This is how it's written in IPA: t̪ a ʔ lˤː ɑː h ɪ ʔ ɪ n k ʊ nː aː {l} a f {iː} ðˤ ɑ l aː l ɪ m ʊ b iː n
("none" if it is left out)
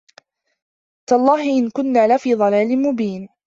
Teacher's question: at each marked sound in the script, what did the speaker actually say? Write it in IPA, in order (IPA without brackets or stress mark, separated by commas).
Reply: l, iː